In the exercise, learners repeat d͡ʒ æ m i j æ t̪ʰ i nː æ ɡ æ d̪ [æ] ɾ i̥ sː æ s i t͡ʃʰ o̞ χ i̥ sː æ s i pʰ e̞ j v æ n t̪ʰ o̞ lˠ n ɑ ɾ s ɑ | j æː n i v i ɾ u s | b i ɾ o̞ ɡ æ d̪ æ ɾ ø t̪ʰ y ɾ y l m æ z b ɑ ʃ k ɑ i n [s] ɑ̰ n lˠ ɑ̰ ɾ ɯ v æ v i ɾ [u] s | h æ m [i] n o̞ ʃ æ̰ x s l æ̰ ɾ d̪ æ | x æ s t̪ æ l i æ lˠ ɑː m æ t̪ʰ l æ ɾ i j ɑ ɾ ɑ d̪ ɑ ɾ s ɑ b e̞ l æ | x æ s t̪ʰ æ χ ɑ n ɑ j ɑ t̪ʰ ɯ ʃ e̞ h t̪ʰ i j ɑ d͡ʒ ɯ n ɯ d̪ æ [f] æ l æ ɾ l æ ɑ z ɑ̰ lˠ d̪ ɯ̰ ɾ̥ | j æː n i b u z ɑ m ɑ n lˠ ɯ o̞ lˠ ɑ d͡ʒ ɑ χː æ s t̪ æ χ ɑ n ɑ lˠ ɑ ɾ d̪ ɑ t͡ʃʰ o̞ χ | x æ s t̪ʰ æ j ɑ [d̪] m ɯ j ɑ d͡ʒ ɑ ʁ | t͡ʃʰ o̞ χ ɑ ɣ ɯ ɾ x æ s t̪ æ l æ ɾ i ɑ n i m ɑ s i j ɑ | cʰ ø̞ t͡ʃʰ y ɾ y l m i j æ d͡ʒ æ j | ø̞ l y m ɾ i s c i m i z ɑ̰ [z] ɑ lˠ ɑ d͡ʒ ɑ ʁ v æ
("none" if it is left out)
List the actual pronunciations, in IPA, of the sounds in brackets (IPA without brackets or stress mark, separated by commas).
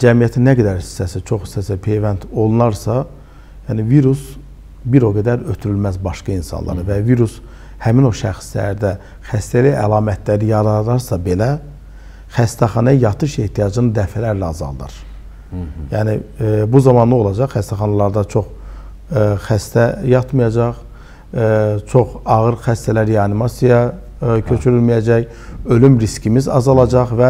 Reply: æ, s, u, i, f, t̪, z